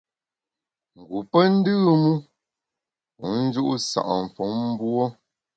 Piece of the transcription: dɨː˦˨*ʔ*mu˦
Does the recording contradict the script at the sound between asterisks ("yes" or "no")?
yes